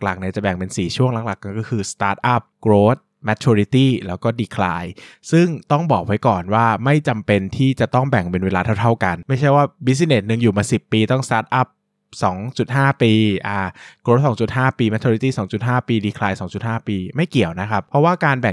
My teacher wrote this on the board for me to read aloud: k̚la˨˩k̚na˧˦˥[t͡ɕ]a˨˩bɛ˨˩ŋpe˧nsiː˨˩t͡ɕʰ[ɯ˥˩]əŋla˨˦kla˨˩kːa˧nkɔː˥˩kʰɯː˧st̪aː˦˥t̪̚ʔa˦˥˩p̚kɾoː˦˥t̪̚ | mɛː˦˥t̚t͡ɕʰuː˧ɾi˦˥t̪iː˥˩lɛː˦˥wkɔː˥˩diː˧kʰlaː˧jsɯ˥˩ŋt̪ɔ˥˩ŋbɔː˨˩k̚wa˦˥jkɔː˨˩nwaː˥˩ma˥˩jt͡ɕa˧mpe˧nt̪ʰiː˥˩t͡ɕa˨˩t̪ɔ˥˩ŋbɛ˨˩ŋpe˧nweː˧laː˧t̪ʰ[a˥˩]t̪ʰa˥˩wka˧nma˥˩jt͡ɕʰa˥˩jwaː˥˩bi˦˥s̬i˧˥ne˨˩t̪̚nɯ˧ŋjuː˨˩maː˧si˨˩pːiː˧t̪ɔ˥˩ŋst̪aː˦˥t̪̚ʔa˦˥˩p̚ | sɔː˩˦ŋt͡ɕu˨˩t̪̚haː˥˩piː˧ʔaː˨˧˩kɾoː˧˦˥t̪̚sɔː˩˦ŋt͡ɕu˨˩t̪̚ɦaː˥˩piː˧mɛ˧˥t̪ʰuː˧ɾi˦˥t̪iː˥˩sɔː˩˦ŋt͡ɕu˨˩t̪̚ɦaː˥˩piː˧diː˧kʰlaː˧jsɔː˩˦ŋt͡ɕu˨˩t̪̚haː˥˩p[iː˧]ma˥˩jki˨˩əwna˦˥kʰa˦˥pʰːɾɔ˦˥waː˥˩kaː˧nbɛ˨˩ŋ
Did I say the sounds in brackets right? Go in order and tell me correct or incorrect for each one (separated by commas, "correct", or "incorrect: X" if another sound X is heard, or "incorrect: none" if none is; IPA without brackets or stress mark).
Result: correct, incorrect: u˥˩, correct, correct